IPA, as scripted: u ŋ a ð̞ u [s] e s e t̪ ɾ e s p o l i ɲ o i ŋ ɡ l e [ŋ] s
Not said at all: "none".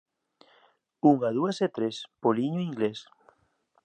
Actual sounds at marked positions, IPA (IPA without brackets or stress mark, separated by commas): none, none